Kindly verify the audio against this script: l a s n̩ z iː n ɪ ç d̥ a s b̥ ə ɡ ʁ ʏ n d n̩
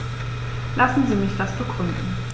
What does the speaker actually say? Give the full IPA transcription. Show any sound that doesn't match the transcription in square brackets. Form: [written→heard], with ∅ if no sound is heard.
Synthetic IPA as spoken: l a s n̩ z iː [n→m] ɪ ç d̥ a s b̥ ə ɡ ʁ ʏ n d n̩

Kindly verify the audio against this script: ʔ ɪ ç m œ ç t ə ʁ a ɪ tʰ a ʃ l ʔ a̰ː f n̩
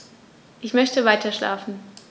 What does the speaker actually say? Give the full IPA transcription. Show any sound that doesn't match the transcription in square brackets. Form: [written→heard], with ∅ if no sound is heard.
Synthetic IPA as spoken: ʔ ɪ ç m œ ç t ə [ʁ→v] a ɪ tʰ [a→ɐ] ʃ l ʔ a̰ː f n̩

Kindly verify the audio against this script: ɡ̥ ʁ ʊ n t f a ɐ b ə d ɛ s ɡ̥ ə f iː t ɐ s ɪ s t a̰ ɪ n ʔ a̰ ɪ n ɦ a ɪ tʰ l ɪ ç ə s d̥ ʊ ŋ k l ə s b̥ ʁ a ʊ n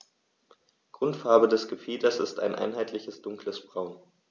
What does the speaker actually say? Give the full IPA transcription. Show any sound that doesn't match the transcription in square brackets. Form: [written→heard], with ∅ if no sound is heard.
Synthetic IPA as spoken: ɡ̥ ʁ ʊ n t f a ɐ b ə d ɛ s ɡ̥ ə f iː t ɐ s ɪ s t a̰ ɪ n ʔ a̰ ɪ n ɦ a ɪ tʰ l ɪ ç ə s d̥ ʊ ŋ k l ə s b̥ ʁ a ʊ n

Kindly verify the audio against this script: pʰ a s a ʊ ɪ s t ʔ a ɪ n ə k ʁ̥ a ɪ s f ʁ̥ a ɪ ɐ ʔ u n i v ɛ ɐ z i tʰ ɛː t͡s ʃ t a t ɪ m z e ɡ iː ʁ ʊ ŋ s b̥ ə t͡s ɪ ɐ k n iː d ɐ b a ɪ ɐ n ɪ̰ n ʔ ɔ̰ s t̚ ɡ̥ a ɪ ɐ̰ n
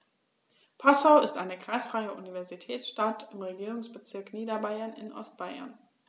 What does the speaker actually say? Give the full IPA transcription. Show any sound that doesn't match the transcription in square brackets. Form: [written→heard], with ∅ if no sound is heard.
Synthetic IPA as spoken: pʰ a s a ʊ ɪ s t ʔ a ɪ n ə k ʁ̥ a ɪ s f ʁ̥ a ɪ [ɐ→ə] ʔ u n i v ɛ ɐ z i tʰ ɛː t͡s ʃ t a t ɪ m [z→ʁ] e ɡ iː ʁ ʊ ŋ s b̥ ə t͡s ɪ ɐ k n iː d ɐ b a ɪ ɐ n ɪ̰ n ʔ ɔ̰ s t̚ [ɡ̥→b̥] a ɪ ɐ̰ n

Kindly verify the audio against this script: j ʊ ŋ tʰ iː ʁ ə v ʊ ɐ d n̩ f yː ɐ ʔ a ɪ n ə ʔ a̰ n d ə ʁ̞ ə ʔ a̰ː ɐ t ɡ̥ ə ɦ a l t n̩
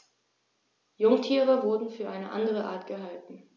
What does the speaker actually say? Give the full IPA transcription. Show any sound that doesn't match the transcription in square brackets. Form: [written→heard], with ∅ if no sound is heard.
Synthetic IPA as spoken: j ʊ ŋ tʰ iː ʁ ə v ʊ ɐ d n̩ f yː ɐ ʔ a ɪ n ə ʔ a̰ n d ə ʁ̞ ə ʔ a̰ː ɐ t ɡ̥ ə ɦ a l t n̩

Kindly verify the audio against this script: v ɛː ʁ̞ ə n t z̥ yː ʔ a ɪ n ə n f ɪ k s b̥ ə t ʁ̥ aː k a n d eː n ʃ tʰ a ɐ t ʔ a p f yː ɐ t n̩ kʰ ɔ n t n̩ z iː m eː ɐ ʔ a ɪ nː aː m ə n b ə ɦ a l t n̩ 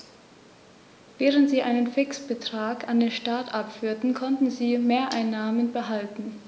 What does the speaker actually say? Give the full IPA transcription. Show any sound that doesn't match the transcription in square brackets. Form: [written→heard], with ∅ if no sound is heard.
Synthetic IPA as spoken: v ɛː ʁ̞ ə n t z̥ [yː→iː] ʔ a ɪ n ə n f ɪ k s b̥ ə t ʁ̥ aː k a n d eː n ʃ [tʰ→t] a ɐ t ʔ a p f yː ɐ t n̩ kʰ ɔ n t n̩ z iː m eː ɐ ʔ a ɪ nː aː m ə n b ə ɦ a l t n̩

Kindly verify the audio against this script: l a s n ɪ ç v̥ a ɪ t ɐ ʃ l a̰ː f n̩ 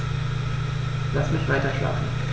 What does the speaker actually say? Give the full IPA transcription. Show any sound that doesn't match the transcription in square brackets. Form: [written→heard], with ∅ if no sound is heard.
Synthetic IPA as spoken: l a s [n→m] ɪ ç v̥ a ɪ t ɐ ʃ l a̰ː f n̩

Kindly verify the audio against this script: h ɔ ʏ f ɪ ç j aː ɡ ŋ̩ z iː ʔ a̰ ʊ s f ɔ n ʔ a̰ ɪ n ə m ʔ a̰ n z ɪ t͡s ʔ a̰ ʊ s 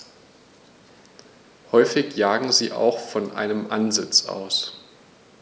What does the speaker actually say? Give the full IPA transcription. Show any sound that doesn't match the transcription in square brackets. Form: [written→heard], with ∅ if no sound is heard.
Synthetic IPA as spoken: h ɔ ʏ f ɪ ç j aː ɡ ŋ̩ z iː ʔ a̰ ʊ [s→x] f ɔ n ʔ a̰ ɪ n ə m ʔ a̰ n z ɪ t͡s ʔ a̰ ʊ s

